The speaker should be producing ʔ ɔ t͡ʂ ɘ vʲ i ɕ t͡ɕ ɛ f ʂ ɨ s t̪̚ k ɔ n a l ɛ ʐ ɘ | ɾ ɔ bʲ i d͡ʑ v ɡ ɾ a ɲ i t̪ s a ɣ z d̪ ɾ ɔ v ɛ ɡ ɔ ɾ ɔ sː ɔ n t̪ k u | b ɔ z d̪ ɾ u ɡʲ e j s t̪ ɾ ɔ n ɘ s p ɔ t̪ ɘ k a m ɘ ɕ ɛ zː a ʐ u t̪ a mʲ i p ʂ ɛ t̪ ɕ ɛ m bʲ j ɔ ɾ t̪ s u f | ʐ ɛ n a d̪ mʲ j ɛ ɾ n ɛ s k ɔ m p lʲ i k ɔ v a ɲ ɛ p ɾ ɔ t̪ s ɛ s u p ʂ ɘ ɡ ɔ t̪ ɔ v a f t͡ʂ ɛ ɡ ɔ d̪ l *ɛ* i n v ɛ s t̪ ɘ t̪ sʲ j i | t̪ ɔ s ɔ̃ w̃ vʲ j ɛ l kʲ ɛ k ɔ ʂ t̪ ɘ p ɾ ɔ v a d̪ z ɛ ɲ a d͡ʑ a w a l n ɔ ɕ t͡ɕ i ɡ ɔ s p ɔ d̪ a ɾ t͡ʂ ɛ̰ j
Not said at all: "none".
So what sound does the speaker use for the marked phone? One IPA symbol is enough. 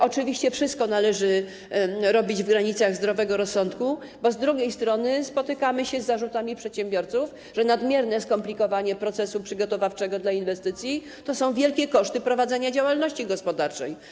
a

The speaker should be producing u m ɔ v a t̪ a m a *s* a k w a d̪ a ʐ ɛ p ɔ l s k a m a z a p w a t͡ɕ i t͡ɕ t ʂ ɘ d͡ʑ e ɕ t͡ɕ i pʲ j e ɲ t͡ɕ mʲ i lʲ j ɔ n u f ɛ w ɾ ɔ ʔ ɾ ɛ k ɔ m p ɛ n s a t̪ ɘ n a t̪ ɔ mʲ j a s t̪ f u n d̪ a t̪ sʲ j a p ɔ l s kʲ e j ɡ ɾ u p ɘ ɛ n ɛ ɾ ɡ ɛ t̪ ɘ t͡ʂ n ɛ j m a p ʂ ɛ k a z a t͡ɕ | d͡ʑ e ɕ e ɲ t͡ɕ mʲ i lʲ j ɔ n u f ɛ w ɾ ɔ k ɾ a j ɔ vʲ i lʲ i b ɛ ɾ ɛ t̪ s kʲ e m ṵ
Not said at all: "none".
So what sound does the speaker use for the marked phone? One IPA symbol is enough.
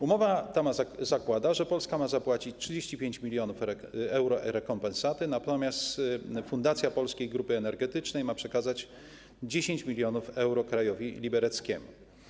z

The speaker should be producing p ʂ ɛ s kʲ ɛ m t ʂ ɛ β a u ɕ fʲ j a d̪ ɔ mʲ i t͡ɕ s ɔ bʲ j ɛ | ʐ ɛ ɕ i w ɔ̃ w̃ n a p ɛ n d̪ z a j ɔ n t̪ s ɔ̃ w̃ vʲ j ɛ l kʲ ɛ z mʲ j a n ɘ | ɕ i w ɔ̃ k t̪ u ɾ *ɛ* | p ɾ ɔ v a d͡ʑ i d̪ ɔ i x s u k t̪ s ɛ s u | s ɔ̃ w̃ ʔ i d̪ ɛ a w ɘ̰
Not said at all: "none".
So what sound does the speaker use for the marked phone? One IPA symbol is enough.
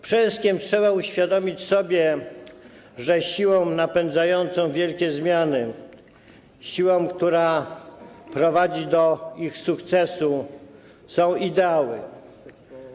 a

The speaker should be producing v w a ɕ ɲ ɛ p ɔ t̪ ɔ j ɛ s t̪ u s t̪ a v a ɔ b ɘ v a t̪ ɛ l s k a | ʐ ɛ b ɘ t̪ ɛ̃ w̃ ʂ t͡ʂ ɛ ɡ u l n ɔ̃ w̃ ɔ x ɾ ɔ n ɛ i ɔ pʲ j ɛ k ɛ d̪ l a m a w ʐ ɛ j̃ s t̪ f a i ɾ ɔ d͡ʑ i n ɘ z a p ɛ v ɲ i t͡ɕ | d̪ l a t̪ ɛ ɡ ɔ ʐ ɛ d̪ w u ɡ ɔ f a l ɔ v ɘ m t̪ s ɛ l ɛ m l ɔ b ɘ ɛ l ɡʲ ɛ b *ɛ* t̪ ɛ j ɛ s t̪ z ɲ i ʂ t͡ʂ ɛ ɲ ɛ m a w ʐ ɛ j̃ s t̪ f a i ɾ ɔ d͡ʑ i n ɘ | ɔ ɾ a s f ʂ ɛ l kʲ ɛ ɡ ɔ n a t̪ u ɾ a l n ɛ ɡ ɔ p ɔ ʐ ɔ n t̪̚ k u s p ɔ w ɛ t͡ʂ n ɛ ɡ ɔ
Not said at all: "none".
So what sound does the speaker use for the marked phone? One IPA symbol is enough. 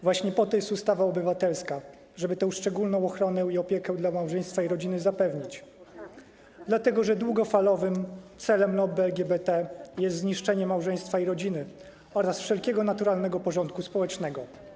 ɛ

